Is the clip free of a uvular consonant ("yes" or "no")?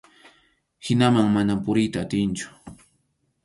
yes